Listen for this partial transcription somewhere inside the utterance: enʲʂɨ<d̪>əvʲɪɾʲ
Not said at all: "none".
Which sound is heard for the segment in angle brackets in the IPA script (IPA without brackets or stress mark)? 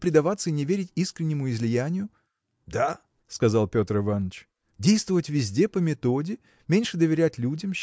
d̪